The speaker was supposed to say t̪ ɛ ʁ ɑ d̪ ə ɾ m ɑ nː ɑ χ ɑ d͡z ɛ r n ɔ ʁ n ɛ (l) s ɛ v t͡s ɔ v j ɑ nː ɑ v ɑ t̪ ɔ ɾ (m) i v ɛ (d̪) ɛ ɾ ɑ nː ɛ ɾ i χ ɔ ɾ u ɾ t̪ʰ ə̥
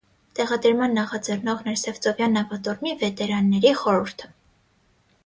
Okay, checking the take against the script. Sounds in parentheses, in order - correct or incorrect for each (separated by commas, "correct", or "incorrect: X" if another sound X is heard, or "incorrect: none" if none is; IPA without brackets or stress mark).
incorrect: ɾ, correct, incorrect: t̪